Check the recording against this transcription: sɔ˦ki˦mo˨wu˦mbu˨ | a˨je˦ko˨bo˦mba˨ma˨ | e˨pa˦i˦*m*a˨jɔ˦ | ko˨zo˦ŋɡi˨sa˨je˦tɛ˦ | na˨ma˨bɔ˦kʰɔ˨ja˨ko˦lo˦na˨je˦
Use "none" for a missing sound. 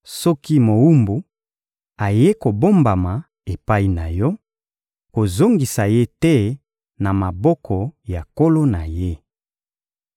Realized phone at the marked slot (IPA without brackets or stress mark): n